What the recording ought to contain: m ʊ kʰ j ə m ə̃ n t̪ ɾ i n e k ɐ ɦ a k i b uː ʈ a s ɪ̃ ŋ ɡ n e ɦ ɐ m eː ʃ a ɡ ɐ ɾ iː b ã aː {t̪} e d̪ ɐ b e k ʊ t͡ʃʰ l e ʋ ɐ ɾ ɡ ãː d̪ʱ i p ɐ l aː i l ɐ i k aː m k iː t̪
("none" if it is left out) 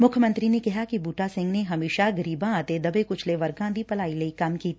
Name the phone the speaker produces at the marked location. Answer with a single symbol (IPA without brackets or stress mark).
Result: t̪